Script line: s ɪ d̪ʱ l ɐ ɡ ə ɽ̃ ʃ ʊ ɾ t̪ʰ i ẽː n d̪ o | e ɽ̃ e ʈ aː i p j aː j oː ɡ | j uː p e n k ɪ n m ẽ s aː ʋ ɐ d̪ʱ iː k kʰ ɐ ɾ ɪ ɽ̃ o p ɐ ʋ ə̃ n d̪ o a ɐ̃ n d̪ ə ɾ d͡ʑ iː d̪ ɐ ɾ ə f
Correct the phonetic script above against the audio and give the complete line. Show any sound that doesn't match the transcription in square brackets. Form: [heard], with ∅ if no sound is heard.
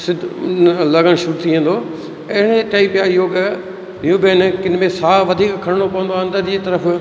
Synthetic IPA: s ɪ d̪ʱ l ɐ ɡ ə ɽ̃ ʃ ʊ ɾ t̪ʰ i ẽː n d̪ o | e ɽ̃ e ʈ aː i p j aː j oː ɡ | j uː [b] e n k ɪ n m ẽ s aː ʋ ɐ d̪ʱ iː k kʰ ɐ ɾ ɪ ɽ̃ o p ɐ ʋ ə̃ n d̪ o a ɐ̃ n d̪ ə ɾ d͡ʑ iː [t̪] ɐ ɾ ə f

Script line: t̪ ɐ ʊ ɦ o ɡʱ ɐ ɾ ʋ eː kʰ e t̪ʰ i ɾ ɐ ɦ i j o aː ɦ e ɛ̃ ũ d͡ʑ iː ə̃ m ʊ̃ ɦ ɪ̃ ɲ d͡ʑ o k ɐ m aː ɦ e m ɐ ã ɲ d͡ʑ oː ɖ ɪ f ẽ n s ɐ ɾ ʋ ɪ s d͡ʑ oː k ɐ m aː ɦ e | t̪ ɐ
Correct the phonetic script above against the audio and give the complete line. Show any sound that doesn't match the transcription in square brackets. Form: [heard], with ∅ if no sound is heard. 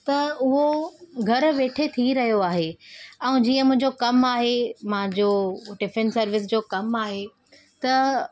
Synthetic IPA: t̪ ɐ ʊ ɦ o ɡʱ ɐ ɾ ʋ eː [ʈʰ] e t̪ʰ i ɾ ɐ ɦ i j o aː ɦ e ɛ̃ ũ d͡ʑ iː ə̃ m ʊ̃ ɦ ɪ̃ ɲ d͡ʑ o k ɐ m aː ɦ e m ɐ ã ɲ d͡ʑ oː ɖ ɪ f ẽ n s ɐ ɾ ʋ ɪ s d͡ʑ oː k ɐ m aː ɦ e | t̪ ɐ

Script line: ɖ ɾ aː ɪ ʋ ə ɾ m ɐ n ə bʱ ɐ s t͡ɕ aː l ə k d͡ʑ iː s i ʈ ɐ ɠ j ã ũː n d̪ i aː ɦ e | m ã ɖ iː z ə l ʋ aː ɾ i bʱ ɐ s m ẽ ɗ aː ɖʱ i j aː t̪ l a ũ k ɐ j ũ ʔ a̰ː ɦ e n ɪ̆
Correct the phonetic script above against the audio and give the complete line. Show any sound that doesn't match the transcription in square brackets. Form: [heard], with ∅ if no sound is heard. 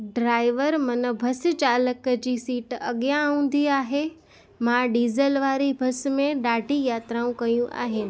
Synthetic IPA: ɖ ɾ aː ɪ ʋ ə ɾ m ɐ n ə bʱ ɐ s t͡ɕ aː l ə k d͡ʑ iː s [iː] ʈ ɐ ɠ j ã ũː n d̪ i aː ɦ e | m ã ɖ iː z ə l ʋ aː ɾ i bʱ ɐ s m ẽ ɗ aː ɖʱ i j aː t̪ [ɾ] a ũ k ɐ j ũ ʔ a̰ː ɦ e n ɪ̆

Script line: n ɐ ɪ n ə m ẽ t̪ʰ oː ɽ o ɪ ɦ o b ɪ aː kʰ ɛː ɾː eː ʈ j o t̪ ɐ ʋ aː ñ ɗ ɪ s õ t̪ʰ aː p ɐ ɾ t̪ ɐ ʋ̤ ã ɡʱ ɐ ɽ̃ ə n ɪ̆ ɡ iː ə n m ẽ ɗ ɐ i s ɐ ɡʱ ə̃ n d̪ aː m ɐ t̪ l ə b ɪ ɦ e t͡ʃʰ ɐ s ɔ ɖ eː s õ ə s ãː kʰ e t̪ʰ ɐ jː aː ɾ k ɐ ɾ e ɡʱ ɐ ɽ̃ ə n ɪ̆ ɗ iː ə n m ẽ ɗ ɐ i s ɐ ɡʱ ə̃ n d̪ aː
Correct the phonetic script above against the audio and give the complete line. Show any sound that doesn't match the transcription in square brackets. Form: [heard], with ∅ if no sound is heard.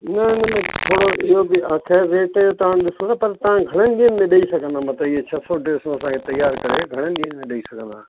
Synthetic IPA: n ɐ ɪ n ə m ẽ t̪ʰ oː ɽ o ɪ ɦ o b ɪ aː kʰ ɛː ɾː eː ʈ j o t̪ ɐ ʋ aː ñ ɗ ɪ s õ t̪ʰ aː p ɐ ɾ t̪ ɐ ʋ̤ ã ɡʱ ɐ ɽ̃ ə n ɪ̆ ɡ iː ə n m ẽ ɗ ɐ i s ɐ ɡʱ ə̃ n d̪ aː m ɐ t̪ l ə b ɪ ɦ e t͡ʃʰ ɐ s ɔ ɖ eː s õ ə s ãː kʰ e [t̪] ɐ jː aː ɾ k ɐ ɾ e ɡʱ ɐ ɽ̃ ə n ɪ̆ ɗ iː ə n m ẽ ɗ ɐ i s ɐ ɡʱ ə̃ n d̪ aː

